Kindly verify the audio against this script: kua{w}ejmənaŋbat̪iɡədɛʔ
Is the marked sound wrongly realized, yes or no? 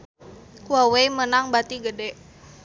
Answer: no